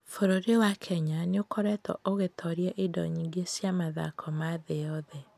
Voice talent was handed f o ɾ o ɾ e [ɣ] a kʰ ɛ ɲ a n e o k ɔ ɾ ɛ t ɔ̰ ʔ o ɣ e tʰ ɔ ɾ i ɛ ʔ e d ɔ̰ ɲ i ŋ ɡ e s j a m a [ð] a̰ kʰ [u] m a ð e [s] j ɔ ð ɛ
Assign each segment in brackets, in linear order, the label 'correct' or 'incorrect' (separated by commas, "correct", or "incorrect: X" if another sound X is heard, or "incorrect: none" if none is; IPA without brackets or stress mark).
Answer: incorrect: w, correct, incorrect: ɔ, incorrect: none